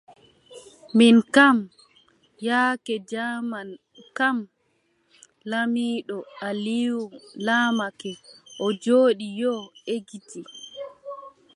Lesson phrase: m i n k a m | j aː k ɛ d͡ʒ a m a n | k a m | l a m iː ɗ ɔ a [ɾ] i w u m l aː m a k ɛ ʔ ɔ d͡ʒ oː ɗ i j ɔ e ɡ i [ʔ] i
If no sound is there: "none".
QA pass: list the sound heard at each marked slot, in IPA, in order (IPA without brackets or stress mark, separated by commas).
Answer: l, t